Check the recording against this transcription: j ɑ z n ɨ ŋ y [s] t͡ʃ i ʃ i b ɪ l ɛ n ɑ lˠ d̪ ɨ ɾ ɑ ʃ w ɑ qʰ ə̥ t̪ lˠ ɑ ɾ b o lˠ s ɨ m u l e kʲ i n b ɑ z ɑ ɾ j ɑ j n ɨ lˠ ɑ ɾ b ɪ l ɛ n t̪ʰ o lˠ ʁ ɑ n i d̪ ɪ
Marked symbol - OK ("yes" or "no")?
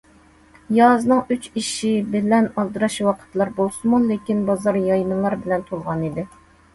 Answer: no